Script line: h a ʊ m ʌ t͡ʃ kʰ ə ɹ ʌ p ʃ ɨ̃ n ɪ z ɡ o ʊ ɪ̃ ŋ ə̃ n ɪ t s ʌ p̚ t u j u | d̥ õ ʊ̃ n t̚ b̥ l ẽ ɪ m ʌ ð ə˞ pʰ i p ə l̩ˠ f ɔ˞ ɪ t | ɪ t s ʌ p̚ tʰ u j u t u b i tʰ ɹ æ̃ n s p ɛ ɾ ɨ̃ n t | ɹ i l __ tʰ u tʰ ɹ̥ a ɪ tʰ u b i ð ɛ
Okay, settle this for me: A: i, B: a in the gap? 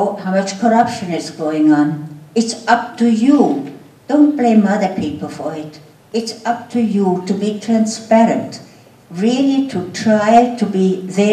A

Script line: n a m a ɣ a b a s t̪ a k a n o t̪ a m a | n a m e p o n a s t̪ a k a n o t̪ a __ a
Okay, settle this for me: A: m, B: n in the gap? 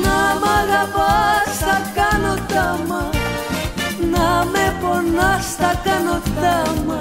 A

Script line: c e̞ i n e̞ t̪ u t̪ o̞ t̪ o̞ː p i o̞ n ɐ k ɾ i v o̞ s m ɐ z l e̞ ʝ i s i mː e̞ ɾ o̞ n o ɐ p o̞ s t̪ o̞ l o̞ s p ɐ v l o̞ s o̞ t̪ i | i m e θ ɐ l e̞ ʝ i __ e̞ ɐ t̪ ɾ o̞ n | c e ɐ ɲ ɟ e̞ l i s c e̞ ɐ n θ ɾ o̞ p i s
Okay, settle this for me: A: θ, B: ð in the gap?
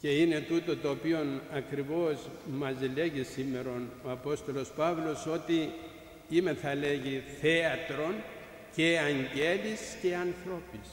A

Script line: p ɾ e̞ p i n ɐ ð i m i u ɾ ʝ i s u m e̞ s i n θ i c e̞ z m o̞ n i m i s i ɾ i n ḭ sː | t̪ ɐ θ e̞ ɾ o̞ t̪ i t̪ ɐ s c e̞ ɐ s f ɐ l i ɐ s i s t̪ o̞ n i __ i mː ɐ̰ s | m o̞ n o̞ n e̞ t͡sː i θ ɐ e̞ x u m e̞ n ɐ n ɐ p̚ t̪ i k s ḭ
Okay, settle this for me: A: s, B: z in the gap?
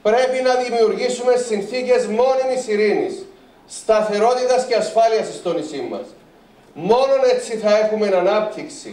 A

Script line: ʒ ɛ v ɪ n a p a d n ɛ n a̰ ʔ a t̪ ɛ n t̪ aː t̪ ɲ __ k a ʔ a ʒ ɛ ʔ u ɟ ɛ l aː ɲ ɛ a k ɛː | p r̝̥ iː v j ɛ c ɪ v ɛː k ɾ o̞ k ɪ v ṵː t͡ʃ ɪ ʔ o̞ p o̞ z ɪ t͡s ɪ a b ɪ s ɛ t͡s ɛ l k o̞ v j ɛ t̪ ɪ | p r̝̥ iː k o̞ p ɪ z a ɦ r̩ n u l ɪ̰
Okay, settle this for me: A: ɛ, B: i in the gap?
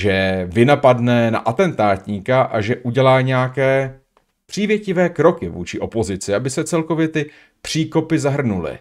B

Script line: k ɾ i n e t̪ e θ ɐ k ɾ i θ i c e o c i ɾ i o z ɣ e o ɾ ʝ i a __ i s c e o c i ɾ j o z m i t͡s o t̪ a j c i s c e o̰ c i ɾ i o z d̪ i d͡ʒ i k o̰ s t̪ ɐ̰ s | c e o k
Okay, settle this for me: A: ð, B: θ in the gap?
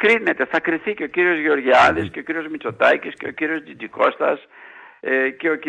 A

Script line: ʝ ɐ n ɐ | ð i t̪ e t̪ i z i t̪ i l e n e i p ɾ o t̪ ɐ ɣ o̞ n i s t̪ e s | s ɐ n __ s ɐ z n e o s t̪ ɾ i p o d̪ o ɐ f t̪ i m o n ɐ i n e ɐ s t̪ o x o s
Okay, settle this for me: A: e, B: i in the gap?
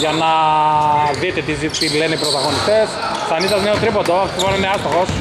B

